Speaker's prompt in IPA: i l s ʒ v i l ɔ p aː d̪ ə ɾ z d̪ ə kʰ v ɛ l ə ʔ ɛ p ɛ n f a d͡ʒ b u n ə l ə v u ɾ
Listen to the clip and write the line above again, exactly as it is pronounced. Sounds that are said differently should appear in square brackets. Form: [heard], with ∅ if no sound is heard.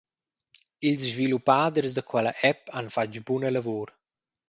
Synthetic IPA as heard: i l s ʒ v i l [u] p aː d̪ ə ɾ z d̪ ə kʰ [w] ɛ l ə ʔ ɛ p [a] n f a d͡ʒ b u n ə l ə v u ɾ